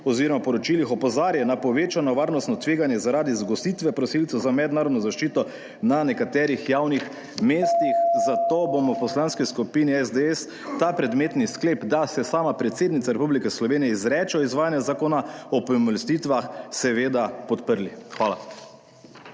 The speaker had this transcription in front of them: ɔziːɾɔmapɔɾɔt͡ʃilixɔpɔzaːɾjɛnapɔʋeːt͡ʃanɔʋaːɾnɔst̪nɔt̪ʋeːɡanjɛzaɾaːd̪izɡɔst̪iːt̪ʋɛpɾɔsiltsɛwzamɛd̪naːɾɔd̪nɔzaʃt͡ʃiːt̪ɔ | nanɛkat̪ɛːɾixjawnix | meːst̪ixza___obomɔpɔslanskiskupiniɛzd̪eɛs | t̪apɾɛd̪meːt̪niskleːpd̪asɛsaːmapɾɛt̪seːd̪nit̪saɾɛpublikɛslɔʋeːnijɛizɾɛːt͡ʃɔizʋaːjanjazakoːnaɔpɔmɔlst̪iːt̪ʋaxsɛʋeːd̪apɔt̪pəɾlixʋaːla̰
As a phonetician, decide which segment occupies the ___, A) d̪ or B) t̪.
B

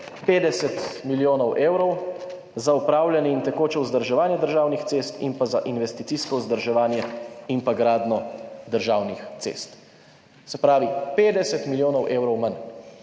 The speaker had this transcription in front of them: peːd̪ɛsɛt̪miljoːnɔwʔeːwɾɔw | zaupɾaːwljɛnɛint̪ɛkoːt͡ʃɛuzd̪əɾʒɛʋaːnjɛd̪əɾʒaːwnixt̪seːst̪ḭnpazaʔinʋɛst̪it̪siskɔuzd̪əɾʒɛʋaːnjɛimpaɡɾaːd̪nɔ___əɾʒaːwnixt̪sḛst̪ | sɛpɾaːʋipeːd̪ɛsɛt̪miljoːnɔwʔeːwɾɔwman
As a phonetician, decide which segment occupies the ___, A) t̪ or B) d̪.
B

